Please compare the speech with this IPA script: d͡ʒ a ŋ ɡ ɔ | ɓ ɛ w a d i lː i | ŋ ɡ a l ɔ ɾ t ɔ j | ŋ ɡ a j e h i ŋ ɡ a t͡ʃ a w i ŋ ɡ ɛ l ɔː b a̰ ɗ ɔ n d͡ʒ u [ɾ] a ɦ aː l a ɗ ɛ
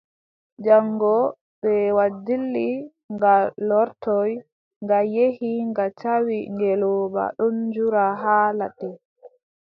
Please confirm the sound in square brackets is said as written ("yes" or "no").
yes